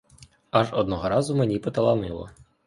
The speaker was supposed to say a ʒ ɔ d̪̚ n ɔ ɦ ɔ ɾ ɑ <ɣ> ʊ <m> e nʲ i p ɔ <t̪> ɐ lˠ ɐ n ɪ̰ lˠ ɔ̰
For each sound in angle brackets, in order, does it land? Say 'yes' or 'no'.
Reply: no, yes, yes

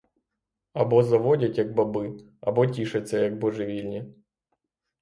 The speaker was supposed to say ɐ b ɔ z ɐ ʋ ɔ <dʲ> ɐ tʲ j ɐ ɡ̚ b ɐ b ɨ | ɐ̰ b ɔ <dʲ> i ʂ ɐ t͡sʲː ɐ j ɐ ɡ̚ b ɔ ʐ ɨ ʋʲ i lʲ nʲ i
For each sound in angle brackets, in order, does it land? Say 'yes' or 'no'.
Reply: yes, no

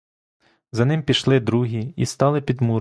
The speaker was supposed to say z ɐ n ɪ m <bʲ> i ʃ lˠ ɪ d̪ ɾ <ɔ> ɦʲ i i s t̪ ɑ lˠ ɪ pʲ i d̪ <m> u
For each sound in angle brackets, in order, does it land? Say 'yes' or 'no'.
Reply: no, no, yes

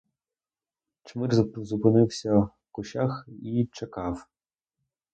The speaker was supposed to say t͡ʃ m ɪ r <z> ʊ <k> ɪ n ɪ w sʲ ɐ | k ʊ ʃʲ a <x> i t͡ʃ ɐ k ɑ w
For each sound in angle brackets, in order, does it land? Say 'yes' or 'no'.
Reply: yes, no, yes

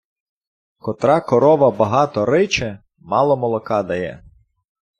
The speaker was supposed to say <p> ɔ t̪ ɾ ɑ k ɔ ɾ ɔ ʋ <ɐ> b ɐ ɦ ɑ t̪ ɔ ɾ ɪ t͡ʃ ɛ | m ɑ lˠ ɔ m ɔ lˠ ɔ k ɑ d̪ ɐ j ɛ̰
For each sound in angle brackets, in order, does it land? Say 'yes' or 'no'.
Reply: no, yes

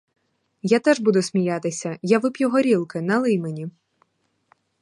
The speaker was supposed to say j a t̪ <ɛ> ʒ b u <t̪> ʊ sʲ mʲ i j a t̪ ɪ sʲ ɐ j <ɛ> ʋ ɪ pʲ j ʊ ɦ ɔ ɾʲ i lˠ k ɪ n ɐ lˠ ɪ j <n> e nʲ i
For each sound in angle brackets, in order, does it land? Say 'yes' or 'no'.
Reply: yes, no, no, no

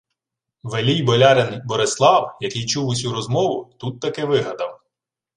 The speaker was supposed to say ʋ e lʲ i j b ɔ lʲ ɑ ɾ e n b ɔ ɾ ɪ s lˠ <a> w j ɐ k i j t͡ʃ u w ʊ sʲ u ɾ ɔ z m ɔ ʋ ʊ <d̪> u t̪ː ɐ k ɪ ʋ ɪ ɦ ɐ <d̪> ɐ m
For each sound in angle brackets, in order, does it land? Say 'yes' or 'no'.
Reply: no, no, yes

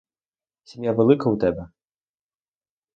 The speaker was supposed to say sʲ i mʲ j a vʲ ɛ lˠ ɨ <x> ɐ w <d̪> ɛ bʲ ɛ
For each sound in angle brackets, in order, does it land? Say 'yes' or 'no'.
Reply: no, no

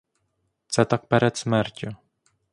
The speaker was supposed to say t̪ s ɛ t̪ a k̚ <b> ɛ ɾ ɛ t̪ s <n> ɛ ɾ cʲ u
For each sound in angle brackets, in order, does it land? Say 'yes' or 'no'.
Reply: no, no

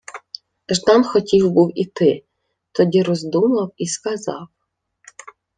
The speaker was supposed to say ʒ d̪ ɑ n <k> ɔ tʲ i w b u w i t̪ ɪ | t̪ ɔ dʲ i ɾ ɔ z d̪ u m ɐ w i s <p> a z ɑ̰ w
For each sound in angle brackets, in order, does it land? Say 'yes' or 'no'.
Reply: no, no

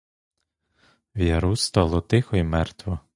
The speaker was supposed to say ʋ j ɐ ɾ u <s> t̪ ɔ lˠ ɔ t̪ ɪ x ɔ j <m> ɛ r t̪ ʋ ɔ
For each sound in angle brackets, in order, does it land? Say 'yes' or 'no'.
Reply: yes, yes

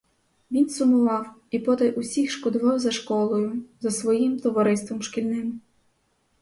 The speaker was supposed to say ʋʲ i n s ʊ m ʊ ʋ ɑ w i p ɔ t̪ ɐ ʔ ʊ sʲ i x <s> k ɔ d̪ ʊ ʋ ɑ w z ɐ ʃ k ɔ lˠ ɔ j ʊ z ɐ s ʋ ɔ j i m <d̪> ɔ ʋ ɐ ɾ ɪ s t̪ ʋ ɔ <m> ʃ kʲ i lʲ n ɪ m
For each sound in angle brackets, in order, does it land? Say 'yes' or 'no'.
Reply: no, no, yes

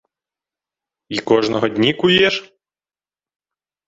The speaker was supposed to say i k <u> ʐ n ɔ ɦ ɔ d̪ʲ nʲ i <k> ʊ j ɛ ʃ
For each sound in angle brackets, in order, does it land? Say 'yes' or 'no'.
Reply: no, yes

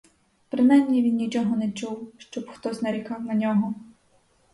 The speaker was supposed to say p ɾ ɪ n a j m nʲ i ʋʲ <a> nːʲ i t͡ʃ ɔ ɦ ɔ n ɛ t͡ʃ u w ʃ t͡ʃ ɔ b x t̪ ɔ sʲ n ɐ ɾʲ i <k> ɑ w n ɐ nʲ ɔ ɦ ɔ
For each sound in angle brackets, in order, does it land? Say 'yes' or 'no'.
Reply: no, yes

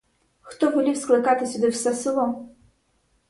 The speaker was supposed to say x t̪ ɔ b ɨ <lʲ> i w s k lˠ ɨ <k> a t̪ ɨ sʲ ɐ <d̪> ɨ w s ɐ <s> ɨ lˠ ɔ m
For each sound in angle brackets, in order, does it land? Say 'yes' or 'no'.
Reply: yes, yes, yes, yes

